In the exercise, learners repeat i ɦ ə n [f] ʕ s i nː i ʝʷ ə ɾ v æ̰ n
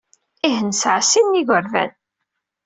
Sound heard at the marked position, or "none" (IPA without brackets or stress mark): s